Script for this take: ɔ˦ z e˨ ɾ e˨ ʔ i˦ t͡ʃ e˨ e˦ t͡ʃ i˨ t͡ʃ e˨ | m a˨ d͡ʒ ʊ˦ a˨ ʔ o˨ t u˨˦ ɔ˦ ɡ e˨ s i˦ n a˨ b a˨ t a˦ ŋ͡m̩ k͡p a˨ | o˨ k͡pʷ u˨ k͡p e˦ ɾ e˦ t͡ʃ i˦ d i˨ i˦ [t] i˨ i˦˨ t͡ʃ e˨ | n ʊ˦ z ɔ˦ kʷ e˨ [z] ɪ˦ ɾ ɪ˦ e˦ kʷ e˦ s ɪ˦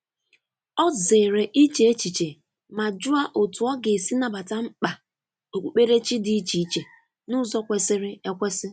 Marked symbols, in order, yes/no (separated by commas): no, no